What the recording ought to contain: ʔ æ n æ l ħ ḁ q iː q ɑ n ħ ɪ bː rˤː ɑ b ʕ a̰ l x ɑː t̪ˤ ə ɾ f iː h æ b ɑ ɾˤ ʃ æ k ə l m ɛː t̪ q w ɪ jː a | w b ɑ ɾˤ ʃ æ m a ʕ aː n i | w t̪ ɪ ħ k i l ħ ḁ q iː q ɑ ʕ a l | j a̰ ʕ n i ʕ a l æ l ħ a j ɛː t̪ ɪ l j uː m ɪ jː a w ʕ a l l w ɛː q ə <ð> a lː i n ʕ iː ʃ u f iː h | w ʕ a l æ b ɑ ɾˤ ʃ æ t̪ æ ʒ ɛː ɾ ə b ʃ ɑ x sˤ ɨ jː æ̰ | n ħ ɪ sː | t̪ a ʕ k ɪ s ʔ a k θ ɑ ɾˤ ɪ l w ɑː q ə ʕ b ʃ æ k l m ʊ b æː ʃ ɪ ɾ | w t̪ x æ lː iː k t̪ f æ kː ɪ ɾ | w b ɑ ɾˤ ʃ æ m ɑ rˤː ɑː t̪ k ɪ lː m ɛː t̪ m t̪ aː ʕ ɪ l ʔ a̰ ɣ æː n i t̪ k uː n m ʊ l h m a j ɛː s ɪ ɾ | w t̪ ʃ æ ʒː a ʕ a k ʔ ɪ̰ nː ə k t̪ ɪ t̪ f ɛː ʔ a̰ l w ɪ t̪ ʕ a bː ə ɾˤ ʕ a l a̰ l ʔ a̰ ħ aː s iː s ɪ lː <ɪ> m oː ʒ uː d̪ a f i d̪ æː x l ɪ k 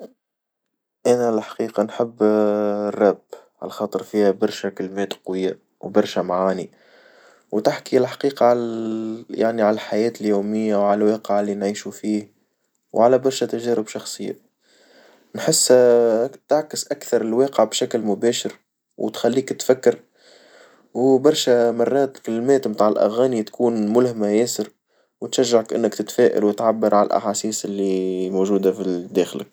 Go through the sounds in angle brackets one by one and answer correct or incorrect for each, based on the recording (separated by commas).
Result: incorrect, incorrect